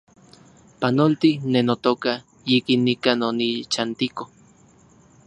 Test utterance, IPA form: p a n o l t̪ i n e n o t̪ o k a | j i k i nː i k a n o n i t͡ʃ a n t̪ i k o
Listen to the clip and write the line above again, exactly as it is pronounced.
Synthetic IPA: p a n o l t̪ i n e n o t̪ o k a | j i k i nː i k a n o n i t͡ʃ a n t̪ i k o